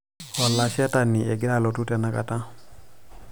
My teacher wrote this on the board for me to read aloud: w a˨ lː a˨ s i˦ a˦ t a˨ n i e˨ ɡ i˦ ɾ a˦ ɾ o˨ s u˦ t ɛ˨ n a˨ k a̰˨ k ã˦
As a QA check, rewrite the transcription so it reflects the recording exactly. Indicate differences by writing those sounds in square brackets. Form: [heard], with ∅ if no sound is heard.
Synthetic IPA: w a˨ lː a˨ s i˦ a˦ t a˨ n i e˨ ɡ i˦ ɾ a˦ [l] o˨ [t] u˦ t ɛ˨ n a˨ k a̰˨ [t] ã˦